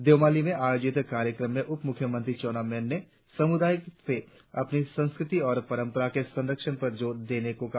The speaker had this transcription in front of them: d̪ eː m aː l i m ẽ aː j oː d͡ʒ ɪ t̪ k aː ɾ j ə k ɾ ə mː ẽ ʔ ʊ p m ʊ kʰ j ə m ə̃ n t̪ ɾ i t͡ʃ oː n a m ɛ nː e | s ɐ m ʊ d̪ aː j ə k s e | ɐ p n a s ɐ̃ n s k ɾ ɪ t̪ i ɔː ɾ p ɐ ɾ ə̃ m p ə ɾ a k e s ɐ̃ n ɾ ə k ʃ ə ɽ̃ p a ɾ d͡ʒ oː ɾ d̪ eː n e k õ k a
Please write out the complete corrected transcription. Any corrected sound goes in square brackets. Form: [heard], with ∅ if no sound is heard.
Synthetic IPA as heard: d̪ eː m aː l i m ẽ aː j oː d͡ʒ ɪ t̪ k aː ɾ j ə k ɾ ə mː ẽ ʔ ʊ p m ʊ kʰ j ə m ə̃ n t̪ ɾ i t͡ʃ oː n a m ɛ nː e | s ɐ m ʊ d̪ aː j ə k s e | ɐ p n [i] s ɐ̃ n s k ɾ ɪ t̪ i ɔː ɾ p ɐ ɾ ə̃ m p ə ɾ a k e s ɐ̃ n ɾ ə k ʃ ə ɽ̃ p [ɐ] ɾ d͡ʒ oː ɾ d̪ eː n e k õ k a